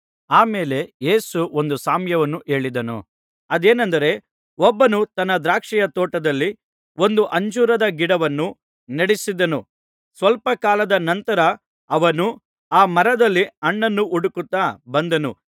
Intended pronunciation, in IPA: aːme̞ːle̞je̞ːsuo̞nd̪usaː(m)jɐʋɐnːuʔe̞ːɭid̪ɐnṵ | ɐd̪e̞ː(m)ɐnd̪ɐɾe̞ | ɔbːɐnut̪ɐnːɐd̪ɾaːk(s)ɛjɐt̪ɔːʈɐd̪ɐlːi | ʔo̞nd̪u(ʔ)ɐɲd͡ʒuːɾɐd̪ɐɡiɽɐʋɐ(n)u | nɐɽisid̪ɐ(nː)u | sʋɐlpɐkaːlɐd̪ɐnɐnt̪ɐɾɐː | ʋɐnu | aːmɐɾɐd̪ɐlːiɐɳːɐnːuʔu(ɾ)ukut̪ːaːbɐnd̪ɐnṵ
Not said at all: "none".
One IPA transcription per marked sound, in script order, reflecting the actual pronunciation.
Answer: m, n, ʂ, ʔ, nː, n, ɽ

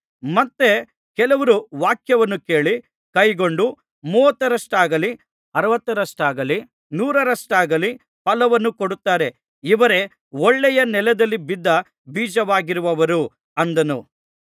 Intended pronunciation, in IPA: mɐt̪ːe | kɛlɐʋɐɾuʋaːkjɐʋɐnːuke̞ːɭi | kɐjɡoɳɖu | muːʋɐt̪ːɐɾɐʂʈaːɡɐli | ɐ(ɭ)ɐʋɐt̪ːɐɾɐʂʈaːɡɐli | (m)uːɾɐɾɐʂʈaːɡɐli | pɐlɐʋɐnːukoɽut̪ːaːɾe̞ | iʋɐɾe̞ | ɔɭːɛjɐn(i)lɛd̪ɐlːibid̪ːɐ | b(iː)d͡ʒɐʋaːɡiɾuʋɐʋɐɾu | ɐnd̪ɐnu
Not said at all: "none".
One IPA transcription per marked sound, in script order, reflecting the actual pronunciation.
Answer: ɾ, n, ɛ, iː

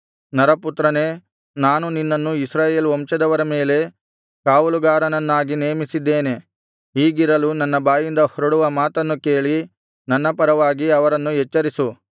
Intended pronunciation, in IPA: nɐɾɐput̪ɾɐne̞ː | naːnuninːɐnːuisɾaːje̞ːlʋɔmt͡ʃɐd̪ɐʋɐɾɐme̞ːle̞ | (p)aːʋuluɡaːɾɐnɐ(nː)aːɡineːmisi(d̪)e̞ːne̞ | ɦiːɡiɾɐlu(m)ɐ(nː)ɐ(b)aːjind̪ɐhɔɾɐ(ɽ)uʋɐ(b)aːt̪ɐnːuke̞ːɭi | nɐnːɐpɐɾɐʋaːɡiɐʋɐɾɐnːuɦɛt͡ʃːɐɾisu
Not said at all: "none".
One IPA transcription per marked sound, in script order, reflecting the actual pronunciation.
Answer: k, nː, d̪ː, n, nː, b, ɽ, m

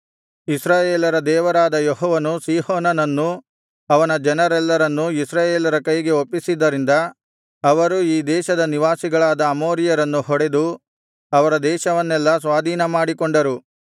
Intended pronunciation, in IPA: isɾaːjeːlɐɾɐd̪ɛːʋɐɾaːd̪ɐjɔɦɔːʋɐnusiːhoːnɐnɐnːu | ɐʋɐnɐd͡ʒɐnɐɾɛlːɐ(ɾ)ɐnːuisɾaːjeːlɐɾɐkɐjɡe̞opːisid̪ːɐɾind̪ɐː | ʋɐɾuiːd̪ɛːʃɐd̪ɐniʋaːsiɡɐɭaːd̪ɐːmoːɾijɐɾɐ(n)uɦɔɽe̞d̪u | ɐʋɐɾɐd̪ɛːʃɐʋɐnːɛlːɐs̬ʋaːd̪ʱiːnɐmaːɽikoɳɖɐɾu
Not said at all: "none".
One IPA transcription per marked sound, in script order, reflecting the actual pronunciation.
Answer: ɾ, nː

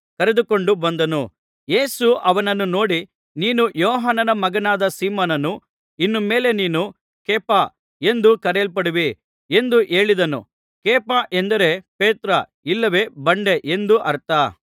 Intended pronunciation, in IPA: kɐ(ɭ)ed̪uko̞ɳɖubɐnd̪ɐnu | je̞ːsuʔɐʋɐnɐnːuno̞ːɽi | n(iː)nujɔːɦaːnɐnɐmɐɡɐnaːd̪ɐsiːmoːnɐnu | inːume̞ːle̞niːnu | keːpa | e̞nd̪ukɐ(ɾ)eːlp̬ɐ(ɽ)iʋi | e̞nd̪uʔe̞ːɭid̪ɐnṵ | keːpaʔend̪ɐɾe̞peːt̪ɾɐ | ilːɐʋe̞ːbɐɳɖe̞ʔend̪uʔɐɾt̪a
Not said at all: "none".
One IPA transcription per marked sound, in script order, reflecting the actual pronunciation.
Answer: ɾ, iː, ɾ, ɽ

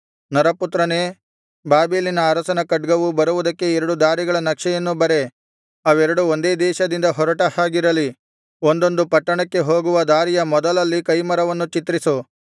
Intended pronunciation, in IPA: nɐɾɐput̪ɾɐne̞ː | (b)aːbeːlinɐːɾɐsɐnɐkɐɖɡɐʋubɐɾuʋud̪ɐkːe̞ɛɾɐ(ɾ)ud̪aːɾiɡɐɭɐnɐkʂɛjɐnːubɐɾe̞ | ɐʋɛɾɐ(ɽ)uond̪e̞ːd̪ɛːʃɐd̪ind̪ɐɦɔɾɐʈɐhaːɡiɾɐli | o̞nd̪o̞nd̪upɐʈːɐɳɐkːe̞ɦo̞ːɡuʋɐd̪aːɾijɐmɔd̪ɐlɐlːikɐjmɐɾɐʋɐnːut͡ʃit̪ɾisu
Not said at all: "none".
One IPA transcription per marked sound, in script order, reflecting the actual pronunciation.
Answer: b, ɽ, ɽ

